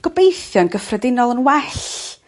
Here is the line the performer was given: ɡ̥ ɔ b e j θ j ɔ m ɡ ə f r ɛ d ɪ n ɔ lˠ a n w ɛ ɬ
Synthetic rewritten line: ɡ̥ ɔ b e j θ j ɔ n ɡ ə f r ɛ d ɪ n ɔ lˠ ə n w ɛ ɬ